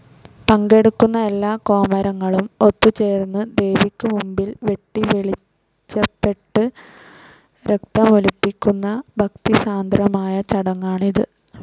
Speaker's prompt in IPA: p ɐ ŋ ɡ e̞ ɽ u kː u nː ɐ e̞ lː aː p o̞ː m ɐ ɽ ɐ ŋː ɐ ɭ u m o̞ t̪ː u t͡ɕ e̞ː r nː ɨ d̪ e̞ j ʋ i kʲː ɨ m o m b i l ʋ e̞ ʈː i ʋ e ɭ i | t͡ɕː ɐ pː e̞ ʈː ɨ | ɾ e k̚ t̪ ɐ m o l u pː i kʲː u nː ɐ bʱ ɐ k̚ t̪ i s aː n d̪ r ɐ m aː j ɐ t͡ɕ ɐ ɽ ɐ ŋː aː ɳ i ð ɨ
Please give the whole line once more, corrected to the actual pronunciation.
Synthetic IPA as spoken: p ɐ ŋ ɡ e̞ ɽ u kː u nː ɐ e̞ lː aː k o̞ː m ɐ ɾ ɐ ŋː ɐ ɭ u m o̞ t̪ː u t͡ɕ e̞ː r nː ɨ d̪ e̞ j ʋ i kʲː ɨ m u m b i l ʋ e̞ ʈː i ʋ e ɭ i | t͡ɕː ɐ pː e̞ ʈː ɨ | ɾ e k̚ t̪ ɐ m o l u pː i kʲː u nː ɐ bʱ ɐ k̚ t̪ i s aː n d̪ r ɐ m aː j ɐ t͡ɕ ɐ ɽ ɐ ŋː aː ɳ i ð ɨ